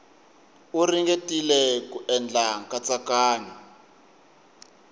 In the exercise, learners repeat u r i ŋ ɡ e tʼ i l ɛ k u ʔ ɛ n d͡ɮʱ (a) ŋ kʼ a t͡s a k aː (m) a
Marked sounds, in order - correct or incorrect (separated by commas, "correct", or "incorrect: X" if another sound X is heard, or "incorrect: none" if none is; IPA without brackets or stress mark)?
correct, incorrect: ɲ